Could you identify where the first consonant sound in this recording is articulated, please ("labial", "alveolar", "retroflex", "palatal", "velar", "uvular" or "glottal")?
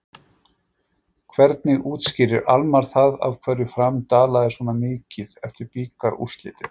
velar